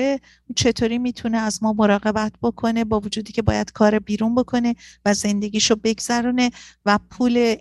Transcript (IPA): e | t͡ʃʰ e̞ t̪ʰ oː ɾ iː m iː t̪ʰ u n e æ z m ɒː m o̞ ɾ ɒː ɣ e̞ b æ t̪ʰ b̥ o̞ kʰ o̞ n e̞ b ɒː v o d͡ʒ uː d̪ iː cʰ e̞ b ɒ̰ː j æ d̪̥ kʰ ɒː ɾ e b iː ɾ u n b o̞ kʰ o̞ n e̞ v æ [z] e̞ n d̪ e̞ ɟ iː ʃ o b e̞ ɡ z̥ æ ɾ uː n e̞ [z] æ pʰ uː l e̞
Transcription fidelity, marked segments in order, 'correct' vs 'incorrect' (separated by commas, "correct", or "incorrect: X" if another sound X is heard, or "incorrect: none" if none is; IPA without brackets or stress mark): correct, incorrect: v